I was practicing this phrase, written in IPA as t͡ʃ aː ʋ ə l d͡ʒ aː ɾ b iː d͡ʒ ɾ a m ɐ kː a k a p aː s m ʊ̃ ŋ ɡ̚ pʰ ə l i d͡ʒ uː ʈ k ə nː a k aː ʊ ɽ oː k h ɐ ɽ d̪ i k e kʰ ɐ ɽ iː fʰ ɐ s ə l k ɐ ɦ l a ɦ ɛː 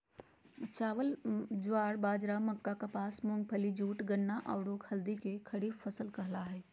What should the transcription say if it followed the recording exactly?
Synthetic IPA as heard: t͡ʃ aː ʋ ə l d͡ʒ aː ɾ b aː d͡ʒ ɾ a m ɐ kː a k a p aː s m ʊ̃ ŋ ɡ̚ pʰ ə l i d͡ʒ uː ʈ ɡ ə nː a ʔ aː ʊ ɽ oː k h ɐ l d̪ i k e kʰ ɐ ɽ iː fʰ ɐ s ə l k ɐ ɦ l a ɦ ɛː